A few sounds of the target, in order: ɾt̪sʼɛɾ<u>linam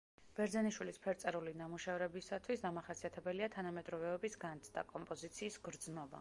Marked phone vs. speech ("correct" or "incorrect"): correct